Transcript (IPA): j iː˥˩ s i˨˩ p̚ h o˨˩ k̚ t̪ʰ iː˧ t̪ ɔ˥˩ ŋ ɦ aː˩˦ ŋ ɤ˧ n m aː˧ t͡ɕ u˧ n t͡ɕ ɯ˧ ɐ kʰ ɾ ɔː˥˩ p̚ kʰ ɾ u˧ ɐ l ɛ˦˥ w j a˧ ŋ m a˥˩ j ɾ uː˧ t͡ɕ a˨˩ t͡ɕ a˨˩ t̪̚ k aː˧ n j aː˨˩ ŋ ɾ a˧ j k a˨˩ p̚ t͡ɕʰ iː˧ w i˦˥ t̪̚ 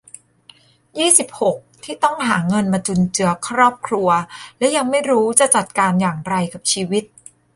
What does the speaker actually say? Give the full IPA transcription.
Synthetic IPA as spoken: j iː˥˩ s i˨˩ p̚ h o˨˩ k̚ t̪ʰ iː˥˩ t̪ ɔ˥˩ ŋ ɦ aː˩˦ ŋ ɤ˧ n m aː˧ t͡ɕ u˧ n t͡ɕ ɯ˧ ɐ kʰ ɾ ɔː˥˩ p̚ kʰ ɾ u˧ ɐ l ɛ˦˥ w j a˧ ŋ m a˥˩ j ɾ uː˦˥ t͡ɕ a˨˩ t͡ɕ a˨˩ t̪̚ k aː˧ n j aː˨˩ ŋ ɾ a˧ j k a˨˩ p̚ t͡ɕʰ iː˧ w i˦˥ t̪̚